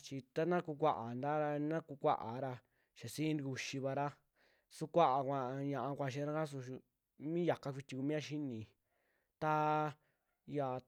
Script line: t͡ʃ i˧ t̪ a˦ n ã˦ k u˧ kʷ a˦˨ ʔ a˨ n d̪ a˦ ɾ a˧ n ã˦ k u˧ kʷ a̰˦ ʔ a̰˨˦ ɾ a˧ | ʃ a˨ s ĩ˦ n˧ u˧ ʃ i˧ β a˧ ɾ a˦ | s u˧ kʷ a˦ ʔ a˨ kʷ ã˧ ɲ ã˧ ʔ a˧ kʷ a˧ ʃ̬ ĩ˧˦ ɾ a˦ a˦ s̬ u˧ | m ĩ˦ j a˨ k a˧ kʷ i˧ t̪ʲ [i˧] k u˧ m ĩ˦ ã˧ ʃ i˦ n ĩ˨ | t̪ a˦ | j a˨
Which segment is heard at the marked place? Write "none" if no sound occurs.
i˧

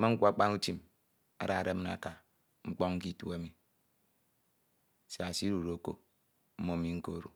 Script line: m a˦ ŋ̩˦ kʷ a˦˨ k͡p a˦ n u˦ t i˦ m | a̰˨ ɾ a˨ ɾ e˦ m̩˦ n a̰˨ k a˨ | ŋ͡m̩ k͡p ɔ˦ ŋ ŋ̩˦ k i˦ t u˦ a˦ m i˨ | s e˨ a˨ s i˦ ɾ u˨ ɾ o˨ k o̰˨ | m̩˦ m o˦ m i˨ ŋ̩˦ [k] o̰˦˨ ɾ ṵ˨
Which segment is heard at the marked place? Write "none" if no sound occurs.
k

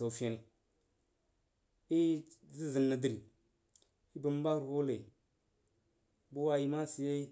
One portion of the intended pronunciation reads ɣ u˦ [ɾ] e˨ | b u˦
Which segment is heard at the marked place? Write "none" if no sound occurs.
l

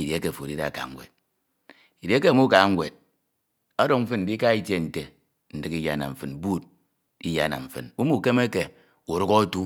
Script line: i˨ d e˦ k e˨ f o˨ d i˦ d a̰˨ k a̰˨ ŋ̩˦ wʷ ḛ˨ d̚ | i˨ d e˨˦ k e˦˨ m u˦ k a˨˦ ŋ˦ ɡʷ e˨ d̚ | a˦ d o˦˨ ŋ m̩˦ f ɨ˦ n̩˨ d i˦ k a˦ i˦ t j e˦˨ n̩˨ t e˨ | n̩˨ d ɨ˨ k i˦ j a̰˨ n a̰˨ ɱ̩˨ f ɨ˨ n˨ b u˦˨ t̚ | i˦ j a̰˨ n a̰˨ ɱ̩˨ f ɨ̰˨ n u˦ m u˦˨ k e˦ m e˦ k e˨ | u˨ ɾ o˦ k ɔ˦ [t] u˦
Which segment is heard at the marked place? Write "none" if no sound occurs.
t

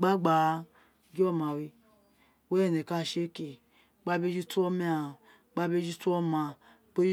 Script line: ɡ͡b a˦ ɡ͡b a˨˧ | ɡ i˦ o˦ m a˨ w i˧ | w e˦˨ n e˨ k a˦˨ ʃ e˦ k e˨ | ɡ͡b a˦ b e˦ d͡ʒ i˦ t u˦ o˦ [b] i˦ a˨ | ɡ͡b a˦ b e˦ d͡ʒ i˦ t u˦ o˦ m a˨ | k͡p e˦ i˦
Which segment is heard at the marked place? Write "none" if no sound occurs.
m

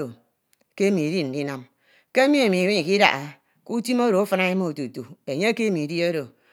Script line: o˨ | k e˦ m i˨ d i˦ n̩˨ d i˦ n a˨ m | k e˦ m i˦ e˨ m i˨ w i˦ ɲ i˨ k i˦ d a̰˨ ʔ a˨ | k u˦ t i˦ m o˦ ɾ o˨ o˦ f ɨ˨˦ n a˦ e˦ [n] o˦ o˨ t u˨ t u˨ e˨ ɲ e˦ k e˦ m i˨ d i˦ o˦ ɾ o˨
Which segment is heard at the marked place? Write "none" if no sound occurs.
m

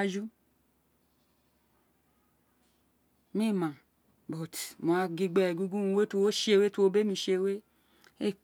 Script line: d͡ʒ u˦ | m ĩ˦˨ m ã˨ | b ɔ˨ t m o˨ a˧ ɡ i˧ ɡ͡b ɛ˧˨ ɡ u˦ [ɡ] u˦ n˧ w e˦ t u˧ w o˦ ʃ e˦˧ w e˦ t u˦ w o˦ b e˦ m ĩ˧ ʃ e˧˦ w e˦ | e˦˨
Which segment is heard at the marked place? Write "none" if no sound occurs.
ɡ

